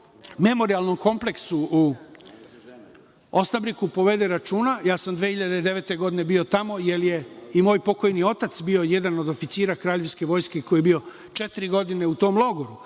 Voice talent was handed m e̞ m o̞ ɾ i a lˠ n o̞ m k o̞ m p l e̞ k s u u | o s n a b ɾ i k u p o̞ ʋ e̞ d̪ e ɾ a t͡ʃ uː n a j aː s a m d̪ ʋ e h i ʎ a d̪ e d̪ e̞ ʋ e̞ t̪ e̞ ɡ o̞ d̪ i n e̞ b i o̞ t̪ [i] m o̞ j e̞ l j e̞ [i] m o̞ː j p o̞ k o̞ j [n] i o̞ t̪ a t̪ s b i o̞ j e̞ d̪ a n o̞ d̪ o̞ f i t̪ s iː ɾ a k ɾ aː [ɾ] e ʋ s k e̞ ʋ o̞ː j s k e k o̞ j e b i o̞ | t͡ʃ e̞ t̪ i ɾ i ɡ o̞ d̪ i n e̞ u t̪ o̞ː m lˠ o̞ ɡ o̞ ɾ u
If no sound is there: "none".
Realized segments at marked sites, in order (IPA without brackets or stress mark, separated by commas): a, i, n, ʎ